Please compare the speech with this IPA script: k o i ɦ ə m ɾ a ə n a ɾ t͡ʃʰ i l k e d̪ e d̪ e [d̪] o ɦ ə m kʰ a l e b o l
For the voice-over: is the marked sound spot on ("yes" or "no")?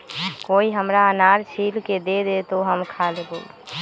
no